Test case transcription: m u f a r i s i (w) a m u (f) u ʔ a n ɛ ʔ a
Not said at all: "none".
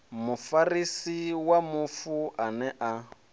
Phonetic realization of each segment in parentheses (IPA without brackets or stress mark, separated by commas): w, f